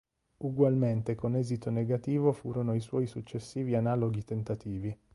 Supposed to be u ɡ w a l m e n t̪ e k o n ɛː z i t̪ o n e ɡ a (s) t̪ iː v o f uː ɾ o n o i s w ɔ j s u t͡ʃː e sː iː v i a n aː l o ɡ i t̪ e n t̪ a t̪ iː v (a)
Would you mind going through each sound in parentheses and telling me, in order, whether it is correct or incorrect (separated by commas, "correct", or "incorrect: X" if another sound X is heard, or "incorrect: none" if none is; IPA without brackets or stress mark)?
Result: incorrect: none, incorrect: i